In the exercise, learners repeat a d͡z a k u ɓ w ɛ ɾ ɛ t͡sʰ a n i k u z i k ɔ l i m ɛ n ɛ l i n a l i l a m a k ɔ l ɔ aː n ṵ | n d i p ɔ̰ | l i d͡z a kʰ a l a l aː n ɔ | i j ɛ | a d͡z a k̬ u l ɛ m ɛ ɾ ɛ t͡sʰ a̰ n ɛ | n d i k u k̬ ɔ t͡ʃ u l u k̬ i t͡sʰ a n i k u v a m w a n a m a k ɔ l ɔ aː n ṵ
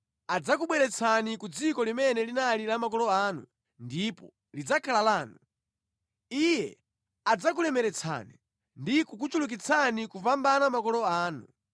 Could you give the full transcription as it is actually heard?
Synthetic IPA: a d͡z a k u ɓ w ɛ ɾ ɛ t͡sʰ a n i k u d͡z i k ɔ l i m ɛ n ɛ l i n a l i l a m a k ɔ l ɔ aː n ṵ | n d i p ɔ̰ | l i d͡z a kʰ a l a l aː n u | i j ɛ | a d͡z a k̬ u l ɛ m ɛ ɾ ɛ t͡sʰ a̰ n i | n d i k u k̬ u t͡ʃ u l u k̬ i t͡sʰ a n i k u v a m b a n a m a k ɔ l ɔ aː n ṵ